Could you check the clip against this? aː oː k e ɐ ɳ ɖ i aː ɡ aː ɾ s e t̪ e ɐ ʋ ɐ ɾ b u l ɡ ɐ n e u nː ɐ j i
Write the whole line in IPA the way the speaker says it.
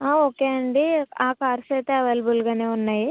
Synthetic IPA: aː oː k e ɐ ɳ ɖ i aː k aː ɾ s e t̪ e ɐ ʋ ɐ l b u l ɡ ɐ n e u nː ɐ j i